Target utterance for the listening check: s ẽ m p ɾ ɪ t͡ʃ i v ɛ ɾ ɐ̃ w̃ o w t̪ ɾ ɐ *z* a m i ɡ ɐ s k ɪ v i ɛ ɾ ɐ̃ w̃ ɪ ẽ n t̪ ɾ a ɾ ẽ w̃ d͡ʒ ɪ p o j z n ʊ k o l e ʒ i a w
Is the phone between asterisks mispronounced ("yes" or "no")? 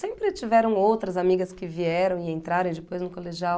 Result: no